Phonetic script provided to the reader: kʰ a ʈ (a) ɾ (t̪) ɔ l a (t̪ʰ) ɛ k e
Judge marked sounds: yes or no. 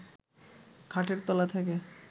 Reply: no, yes, yes

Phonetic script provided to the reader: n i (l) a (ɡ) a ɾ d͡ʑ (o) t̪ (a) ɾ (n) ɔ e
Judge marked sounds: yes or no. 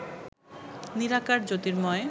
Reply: no, no, yes, no, no

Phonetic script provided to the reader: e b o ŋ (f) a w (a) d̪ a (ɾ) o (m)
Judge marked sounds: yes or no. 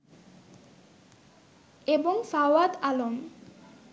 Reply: yes, yes, no, yes

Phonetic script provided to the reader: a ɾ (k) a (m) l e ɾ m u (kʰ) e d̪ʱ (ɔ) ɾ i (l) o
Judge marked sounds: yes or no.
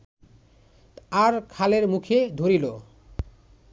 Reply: no, no, yes, no, yes

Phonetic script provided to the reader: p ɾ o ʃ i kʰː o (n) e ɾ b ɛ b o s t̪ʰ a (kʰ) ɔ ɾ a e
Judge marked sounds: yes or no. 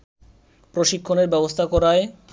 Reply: yes, no

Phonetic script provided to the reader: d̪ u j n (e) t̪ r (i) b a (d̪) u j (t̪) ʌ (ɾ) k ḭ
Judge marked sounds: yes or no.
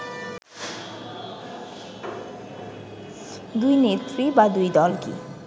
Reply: yes, yes, yes, no, no

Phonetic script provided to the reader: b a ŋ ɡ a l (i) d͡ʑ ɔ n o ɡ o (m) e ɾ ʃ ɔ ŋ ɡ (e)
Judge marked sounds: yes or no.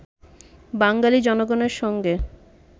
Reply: yes, no, yes

